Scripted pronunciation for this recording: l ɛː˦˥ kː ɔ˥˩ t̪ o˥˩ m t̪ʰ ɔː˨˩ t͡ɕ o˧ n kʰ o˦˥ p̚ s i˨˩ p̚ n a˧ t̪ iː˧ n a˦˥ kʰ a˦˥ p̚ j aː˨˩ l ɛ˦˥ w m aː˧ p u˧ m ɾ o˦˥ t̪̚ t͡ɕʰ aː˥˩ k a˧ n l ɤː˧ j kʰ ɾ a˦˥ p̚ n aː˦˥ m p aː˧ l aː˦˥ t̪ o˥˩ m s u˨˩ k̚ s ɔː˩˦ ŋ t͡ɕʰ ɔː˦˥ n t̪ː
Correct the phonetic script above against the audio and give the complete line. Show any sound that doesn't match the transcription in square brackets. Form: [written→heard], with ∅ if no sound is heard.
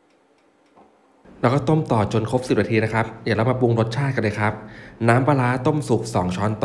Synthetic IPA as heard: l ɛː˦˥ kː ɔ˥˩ t̪ o˥˩ m [t̪ʰ→t̪] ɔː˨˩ t͡ɕ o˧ n kʰ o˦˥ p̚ s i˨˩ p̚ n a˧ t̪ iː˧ n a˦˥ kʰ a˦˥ p̚ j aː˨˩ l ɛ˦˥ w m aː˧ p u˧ [m→ŋ] ɾ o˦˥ t̪̚ t͡ɕʰ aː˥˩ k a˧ n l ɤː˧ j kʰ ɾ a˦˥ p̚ n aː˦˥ m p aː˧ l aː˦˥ t̪ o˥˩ m s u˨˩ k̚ s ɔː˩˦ ŋ t͡ɕʰ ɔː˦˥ n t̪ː